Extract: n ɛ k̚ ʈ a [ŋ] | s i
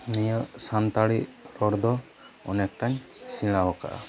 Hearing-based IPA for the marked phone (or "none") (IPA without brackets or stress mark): ɲ